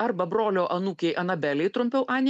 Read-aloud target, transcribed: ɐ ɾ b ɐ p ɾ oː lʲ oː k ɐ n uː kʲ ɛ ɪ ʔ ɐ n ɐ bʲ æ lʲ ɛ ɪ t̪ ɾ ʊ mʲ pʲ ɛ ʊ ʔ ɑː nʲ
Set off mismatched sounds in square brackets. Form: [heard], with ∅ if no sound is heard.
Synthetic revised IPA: ɐ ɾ b ɐ [b] ɾ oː lʲ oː [ʔ] ɐ n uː kʲ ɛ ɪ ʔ ɐ n ɐ bʲ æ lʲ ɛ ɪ t̪ ɾ ʊ mʲ pʲ ɛ ʊ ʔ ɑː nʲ